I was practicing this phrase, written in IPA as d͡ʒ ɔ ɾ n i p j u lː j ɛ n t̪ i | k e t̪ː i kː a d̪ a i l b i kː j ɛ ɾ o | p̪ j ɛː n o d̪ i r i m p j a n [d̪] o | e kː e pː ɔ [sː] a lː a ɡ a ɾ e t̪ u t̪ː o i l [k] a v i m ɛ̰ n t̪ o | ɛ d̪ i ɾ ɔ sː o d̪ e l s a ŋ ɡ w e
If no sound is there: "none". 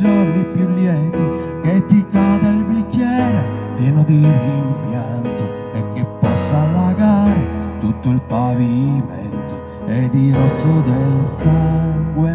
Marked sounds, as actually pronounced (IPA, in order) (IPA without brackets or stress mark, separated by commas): t̪, sː, p